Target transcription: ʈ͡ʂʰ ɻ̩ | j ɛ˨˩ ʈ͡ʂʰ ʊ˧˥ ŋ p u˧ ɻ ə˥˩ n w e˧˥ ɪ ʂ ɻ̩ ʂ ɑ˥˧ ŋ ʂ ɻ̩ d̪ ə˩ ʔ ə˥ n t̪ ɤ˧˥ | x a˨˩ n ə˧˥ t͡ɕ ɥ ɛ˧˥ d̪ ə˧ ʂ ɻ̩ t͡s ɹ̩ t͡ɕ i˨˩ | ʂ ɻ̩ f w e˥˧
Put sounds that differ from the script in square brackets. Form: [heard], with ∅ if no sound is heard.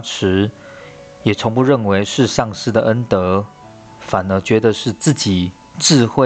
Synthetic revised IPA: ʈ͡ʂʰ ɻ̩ | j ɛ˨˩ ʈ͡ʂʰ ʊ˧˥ ŋ p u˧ ɻ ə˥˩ n w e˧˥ ɪ ʂ ɻ̩ ʂ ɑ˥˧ ŋ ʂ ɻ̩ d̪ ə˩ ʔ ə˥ n t̪ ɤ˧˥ | [f] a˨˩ n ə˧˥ t͡ɕ ɥ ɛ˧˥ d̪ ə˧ ʂ ɻ̩ t͡s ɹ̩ t͡ɕ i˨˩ | [ʈ͡ʂ] ɻ̩ [x] w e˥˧